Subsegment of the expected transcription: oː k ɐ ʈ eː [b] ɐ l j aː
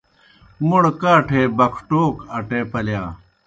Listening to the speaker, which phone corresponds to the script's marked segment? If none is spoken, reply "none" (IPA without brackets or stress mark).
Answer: p